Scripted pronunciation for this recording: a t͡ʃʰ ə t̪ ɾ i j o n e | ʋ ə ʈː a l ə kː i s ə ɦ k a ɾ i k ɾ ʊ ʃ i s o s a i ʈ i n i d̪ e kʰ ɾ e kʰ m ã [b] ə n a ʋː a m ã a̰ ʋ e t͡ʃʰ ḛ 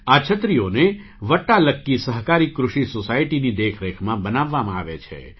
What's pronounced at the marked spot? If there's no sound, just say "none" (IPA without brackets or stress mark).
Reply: b